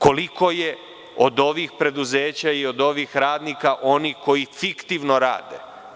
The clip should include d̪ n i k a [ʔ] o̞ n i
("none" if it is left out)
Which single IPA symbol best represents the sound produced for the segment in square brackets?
ʔ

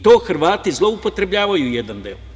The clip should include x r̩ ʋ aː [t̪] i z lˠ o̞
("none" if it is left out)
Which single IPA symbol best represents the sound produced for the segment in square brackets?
t̪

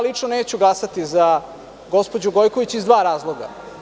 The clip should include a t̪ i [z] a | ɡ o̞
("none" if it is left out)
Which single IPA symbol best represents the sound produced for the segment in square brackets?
z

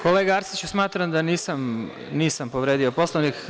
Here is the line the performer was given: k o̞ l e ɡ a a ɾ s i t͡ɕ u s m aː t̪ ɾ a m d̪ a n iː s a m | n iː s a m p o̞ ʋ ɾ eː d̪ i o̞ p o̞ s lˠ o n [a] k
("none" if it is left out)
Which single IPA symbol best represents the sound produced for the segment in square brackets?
i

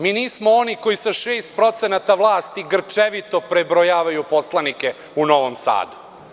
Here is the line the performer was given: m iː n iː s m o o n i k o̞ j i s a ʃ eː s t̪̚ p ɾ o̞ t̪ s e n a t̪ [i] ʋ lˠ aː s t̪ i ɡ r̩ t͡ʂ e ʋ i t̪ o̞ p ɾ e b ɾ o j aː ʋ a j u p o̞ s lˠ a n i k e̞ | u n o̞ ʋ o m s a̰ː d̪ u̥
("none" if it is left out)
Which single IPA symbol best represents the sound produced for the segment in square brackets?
a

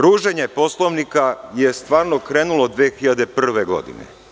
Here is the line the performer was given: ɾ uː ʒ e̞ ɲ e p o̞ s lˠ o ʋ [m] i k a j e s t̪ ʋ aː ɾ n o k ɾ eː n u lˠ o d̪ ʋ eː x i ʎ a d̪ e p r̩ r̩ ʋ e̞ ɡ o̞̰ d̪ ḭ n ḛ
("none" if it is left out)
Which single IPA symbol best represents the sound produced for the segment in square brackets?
n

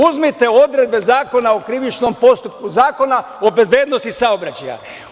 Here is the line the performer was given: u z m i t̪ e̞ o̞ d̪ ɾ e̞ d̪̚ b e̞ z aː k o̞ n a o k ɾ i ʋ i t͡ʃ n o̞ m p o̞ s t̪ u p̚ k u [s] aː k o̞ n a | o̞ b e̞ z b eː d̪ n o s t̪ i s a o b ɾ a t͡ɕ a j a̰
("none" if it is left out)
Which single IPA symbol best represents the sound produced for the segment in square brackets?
z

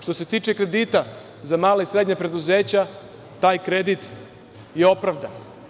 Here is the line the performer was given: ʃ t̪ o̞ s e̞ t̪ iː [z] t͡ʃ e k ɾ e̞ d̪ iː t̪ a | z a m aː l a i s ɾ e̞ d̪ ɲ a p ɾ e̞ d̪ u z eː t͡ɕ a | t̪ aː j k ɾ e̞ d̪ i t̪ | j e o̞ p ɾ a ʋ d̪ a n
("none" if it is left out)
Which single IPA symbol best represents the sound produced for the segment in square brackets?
none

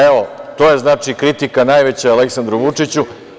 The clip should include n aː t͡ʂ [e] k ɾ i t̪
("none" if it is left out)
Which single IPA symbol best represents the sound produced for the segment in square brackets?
i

